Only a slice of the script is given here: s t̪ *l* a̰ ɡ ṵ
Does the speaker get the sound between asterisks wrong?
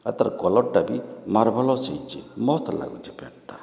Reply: no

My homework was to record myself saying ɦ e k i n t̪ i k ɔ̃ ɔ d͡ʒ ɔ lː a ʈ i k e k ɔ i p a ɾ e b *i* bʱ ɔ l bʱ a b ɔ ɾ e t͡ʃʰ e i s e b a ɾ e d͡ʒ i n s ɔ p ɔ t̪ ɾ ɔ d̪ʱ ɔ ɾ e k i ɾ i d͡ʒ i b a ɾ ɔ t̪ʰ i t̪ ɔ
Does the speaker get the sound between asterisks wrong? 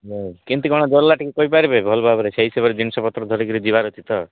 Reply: yes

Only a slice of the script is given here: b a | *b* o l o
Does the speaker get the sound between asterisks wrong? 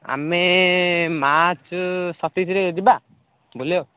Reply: no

